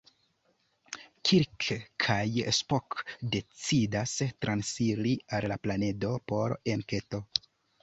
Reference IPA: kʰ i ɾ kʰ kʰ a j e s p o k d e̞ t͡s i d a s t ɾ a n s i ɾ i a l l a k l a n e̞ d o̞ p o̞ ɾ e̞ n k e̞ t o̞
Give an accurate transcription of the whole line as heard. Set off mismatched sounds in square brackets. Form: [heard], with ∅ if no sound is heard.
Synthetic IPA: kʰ i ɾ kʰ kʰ a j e s p o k d e̞ t͡s i d a s t ɾ a n s i ɾ i a l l a [p] l a n e̞ d o̞ p o̞ ɾ e̞ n k e̞ t o̞